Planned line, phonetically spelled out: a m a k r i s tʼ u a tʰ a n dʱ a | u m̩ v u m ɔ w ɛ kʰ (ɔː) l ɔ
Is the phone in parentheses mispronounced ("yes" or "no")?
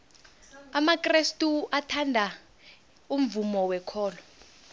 no